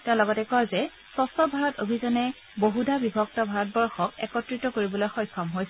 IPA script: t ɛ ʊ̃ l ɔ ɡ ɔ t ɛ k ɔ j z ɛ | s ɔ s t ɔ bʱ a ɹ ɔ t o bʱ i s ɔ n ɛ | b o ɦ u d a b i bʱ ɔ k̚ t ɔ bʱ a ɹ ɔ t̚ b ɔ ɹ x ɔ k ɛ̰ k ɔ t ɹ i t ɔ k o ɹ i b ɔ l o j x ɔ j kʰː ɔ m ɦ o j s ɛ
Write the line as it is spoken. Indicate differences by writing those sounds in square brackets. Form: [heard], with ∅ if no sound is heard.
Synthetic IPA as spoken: t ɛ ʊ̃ l ɔ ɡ ɔ t ɛ k ɔ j z ɛ | s ɔ s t ɔ bʱ a ɹ ɔ t o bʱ i [z] ɔ n ɛ | b o ɦ u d a b i bʱ ɔ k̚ t ɔ bʱ a ɹ ɔ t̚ b ɔ ɹ x ɔ k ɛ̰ k ɔ t ɹ i t ɔ k o ɹ i b ɔ l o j x ɔ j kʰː ɔ m ɦ o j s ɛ

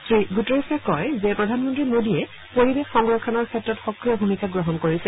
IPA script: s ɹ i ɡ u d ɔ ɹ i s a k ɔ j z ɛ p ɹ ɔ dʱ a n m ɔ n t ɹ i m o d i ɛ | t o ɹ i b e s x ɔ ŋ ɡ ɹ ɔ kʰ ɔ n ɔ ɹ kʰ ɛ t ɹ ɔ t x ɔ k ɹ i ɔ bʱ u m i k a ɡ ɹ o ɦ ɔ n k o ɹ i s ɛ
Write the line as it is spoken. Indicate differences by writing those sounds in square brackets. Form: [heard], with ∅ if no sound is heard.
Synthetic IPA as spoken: s ɹ i ɡ u [t] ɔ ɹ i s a k ɔ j z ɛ p ɹ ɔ dʱ a n m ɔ n t ɹ i m o d i ɛ | [p] o ɹ i b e [x] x ɔ ŋ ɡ ɹ ɔ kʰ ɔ n ɔ ɹ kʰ ɛ t ɹ ɔ t x ɔ k ɹ i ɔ bʱ u m i k a ɡ ɹ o ɦ ɔ n k o ɹ i s ɛ

